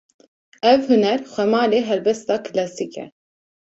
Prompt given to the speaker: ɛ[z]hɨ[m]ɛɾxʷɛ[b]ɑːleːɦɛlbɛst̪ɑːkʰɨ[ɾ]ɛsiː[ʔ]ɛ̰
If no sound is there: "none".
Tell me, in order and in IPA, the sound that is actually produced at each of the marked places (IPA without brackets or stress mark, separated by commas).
v, n, m, l, k